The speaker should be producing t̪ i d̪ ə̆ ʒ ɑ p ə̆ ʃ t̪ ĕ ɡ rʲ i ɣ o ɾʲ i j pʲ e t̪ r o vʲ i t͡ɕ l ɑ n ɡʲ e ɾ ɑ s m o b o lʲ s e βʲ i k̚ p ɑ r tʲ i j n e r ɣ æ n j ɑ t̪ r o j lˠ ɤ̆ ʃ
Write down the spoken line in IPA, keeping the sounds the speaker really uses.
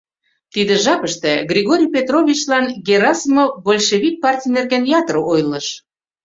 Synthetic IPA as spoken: t̪ i d̪ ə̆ ʒ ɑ p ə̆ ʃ t̪ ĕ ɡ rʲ i ɣ o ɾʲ i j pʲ e t̪ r o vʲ i t͡ɕ l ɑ n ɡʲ e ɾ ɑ s m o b o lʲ ʃ e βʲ i k̚ p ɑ r tʲ i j n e r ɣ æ n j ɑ t̪ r o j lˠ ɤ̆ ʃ